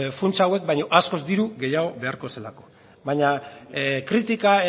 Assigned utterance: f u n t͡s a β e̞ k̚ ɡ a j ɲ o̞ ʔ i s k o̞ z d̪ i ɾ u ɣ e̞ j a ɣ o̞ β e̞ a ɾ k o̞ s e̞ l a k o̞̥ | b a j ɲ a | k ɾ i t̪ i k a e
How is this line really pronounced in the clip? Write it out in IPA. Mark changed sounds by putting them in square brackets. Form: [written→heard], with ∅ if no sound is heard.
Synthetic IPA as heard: f u n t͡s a [β→w] e̞ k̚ [ɡ→b] a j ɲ o̞ ʔ [i→a] s k o̞ z d̪ i ɾ u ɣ e̞ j a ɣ o̞ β e̞ a ɾ k o̞ s e̞ l a k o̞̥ | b a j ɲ a | k ɾ i t̪ i k a e